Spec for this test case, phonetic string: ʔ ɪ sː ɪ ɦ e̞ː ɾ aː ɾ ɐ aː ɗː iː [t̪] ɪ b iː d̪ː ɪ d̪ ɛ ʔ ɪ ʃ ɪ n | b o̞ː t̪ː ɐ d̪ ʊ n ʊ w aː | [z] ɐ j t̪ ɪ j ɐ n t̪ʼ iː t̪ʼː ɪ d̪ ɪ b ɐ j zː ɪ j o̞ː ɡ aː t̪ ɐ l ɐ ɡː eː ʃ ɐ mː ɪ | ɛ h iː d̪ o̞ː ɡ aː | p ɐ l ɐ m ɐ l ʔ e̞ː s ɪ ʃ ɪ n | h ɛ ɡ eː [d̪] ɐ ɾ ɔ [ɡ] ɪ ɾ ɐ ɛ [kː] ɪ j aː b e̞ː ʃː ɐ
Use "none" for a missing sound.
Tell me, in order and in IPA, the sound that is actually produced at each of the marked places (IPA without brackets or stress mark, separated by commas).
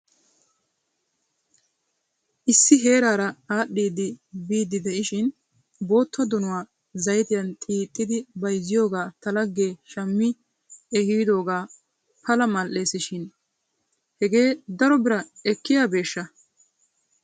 d̪, z, d̪, b, kː